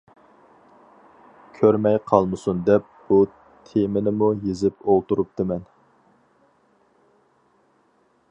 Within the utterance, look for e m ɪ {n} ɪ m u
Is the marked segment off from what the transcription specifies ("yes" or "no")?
no